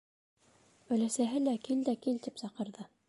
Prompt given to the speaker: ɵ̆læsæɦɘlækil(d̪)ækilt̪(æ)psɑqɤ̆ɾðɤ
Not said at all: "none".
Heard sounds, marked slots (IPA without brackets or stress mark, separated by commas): d̪, i